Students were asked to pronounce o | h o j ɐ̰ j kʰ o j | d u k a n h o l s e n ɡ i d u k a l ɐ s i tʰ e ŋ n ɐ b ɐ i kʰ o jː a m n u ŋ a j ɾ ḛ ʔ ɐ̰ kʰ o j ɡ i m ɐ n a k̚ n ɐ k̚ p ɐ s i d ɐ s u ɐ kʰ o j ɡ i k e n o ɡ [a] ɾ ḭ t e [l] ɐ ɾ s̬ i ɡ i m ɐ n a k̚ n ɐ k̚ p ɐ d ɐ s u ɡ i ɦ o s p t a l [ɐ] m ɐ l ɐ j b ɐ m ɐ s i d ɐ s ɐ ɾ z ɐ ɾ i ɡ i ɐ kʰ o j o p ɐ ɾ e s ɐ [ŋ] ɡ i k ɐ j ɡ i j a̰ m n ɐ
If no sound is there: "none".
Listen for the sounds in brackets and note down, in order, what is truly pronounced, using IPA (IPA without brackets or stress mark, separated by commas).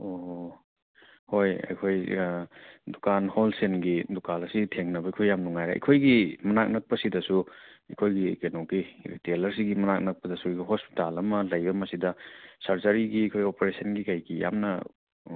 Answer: i, l, ɐ, n